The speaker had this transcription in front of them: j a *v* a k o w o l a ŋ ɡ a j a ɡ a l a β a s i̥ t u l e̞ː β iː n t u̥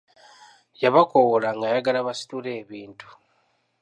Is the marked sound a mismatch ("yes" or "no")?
yes